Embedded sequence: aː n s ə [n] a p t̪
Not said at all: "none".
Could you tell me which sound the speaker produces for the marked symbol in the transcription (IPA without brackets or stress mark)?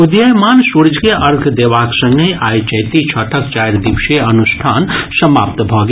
m